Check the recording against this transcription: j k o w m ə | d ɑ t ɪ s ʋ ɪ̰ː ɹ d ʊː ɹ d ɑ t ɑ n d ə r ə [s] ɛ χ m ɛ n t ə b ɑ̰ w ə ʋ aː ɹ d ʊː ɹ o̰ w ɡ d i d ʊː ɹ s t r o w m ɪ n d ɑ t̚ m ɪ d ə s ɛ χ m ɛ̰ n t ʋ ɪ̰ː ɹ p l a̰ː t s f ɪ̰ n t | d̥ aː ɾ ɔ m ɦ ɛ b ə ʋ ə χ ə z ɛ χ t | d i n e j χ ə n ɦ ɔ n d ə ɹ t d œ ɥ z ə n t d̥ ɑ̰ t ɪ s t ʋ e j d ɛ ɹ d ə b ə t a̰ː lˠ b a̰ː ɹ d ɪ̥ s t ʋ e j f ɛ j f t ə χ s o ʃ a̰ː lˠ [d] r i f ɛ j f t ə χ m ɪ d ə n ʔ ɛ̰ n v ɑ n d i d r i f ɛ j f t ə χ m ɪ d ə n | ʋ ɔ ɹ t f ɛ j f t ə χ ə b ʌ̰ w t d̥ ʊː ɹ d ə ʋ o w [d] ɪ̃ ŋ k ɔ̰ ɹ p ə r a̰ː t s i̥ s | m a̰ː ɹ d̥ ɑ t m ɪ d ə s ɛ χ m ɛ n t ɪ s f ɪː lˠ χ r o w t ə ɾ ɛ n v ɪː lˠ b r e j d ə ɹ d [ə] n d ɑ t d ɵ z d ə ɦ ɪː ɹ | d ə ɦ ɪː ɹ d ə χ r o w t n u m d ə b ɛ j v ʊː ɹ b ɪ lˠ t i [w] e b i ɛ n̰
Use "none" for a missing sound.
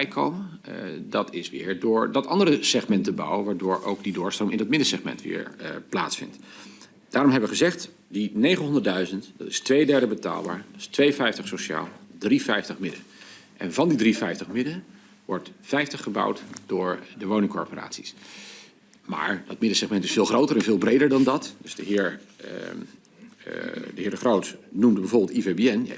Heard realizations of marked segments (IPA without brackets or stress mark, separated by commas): s, d, n, ɑ, v